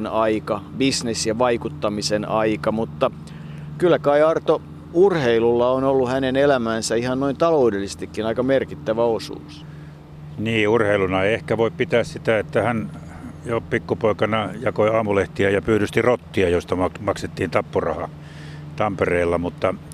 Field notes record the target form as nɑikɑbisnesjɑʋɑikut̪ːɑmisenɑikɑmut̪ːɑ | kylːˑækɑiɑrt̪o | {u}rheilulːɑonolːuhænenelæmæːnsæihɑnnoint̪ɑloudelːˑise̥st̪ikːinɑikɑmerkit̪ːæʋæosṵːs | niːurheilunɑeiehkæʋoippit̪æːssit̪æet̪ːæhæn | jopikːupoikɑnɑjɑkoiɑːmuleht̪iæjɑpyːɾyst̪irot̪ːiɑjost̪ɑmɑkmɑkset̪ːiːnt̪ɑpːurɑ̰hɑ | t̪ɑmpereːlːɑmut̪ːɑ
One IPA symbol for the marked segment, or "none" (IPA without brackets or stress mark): u